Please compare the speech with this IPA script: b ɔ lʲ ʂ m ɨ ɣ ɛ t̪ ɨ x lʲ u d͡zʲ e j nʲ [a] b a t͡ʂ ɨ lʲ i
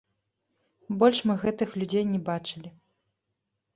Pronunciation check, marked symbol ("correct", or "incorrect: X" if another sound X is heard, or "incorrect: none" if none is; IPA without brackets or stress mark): incorrect: ɛ